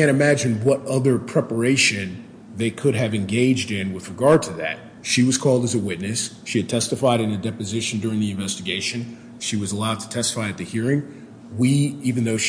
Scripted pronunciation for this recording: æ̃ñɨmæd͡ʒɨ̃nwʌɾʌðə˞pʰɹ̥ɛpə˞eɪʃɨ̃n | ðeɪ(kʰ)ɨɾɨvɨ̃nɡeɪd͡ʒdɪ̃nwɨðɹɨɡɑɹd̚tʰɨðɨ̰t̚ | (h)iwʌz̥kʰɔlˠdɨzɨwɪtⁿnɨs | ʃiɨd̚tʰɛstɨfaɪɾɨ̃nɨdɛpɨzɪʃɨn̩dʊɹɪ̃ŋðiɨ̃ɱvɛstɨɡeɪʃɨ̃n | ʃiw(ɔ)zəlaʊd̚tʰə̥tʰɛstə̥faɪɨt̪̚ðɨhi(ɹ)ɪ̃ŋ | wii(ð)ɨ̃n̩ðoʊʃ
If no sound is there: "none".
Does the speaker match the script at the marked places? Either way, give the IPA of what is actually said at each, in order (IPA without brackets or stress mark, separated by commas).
kʰ, ʃ, ʌ, ɹ, v